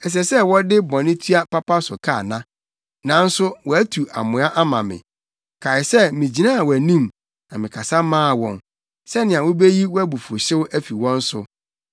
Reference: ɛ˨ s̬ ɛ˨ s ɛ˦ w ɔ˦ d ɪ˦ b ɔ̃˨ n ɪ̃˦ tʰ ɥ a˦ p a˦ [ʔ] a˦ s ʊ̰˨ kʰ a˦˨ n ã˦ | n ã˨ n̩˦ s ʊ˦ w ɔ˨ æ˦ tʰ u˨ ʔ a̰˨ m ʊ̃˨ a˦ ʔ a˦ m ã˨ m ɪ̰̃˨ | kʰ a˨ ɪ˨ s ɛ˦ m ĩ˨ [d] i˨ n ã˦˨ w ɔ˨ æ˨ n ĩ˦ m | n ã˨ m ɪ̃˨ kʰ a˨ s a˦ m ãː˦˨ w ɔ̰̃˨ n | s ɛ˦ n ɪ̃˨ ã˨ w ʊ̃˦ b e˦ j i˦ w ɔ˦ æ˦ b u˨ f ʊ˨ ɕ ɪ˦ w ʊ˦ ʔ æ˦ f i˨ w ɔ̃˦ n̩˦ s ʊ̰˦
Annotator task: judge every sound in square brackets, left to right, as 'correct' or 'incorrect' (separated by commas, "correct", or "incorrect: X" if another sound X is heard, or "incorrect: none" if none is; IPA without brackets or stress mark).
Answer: incorrect: p, incorrect: d͡ʑ